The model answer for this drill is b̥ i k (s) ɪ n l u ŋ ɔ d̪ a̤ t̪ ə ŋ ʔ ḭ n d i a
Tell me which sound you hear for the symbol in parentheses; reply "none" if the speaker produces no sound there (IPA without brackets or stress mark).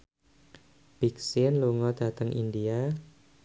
s